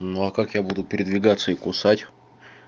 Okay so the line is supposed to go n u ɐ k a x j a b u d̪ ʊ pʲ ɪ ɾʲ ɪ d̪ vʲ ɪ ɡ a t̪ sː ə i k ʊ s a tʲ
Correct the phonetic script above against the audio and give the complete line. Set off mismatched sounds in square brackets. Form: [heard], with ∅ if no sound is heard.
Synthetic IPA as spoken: n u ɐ k a [k] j a b u d̪ ʊ pʲ ɪ ɾʲ ɪ d̪ vʲ ɪ ɡ a t̪ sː ə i k ʊ s a tʲ